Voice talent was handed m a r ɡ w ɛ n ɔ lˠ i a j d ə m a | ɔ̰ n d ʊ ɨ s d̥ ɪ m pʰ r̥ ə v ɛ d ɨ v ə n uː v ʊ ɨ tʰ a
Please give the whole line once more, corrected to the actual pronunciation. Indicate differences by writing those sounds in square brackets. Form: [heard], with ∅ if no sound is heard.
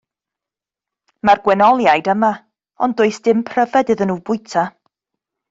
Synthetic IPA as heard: m a r ɡ w ɛ n ɔ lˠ [j] a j d ə m a | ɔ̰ n d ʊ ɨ s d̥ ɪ m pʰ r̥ ə v ɛ d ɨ [ð] ə n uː [b] ʊ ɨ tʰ a